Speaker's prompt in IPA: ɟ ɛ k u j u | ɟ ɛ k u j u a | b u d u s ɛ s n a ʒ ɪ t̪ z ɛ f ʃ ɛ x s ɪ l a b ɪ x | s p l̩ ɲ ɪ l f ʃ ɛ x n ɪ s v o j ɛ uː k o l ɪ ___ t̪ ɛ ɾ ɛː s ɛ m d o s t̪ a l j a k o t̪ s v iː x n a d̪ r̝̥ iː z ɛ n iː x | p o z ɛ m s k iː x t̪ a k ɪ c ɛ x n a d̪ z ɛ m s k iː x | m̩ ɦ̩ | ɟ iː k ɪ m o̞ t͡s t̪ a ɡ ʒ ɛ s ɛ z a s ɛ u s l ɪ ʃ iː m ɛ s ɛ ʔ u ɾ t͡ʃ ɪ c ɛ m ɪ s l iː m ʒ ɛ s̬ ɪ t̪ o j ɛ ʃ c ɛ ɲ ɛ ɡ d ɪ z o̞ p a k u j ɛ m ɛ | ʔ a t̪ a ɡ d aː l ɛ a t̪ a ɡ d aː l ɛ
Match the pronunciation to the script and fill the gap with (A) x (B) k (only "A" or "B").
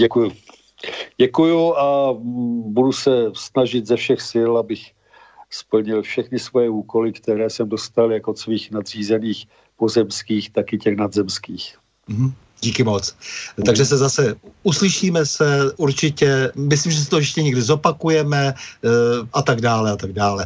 B